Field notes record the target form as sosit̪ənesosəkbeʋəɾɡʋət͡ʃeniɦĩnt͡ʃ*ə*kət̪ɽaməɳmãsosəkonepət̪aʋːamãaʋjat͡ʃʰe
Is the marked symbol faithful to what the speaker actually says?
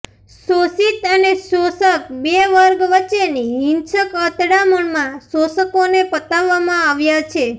yes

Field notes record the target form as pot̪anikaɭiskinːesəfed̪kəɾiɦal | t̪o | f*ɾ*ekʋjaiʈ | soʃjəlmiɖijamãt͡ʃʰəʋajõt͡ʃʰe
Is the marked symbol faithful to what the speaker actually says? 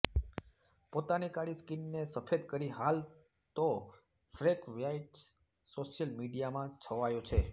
yes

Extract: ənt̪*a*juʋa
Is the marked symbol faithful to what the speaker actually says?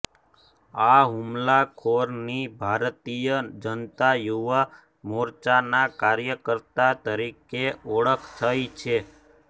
yes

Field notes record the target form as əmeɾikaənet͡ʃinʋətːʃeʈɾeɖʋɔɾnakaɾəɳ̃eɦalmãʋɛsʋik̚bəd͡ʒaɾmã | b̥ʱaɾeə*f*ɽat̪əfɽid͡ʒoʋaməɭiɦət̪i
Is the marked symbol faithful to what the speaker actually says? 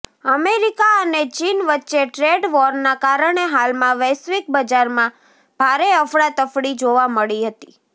yes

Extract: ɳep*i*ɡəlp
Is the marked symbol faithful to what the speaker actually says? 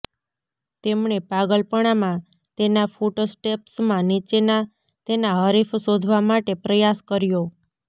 no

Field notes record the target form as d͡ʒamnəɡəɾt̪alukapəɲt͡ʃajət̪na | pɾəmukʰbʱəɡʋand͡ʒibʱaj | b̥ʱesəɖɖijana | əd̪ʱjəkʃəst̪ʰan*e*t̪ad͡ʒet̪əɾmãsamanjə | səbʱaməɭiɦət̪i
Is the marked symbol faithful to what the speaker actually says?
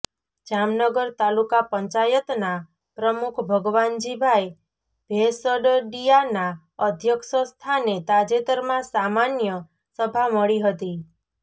yes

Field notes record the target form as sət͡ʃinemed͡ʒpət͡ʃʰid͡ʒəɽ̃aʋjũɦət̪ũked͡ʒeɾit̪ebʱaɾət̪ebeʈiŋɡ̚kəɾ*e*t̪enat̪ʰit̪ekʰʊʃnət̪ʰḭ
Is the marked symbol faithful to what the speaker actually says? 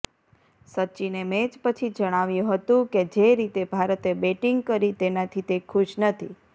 no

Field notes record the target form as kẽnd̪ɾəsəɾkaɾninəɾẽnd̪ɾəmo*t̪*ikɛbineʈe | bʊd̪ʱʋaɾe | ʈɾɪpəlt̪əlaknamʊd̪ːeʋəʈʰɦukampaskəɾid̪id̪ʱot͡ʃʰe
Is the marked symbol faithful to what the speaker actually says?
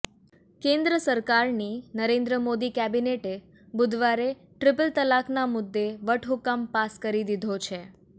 no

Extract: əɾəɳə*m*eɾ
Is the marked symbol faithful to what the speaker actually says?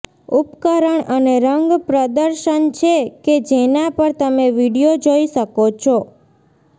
no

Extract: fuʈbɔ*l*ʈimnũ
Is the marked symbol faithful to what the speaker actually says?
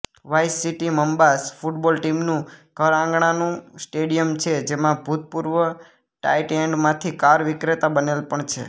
yes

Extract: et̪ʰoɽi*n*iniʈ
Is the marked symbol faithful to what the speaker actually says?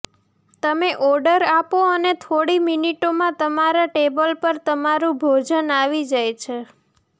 no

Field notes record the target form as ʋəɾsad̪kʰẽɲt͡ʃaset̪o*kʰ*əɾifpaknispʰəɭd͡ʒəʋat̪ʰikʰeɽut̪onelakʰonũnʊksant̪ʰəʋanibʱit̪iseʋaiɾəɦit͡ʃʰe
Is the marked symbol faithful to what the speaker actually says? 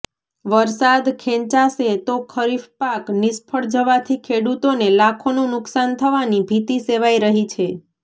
yes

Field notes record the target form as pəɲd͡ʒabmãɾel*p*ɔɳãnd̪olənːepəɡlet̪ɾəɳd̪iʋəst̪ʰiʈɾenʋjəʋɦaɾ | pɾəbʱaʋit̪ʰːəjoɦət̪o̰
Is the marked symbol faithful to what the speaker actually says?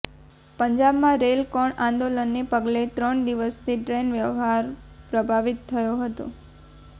no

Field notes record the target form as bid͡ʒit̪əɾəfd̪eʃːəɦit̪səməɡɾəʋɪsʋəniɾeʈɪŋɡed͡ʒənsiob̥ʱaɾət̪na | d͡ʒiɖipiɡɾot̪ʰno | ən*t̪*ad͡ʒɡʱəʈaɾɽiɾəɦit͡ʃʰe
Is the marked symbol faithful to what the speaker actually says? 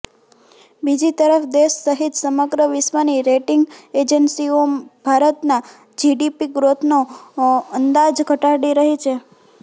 no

